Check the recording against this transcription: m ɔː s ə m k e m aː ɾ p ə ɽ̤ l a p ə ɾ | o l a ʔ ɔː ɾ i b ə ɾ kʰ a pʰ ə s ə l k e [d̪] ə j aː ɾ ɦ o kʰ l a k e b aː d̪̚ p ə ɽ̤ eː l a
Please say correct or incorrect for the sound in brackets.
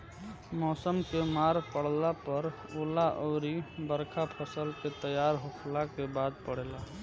incorrect